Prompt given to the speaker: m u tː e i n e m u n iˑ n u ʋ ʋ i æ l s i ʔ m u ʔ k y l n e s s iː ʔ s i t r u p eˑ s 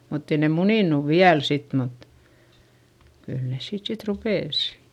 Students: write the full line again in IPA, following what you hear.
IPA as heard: m u tː e i n e m u n iˑ n u ʋ ʋ i æ l s i t m u t k y l n e s s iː t s i t r u p eˑ s